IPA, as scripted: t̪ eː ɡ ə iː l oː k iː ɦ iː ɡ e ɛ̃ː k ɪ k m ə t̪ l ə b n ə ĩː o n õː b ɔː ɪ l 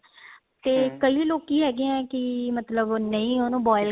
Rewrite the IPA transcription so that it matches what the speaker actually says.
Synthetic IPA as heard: t̪ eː k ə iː l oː k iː ɦ ɛː ɡ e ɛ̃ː k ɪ m ə t̪ l ə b n ə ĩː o n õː b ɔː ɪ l